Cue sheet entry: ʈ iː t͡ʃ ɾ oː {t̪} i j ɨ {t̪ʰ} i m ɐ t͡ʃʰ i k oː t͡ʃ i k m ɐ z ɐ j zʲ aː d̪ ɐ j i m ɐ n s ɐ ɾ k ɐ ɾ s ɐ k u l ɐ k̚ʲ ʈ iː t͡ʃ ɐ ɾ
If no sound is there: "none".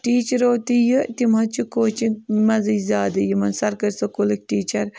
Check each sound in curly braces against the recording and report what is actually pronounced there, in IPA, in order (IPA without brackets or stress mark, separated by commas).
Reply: t̪, t̪